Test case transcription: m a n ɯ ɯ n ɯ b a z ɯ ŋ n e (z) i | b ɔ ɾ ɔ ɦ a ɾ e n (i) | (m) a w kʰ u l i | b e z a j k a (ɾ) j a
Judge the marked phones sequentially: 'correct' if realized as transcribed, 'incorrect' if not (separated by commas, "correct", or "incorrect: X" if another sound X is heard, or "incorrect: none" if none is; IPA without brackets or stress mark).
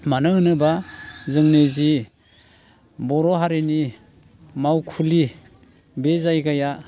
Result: correct, correct, correct, incorrect: none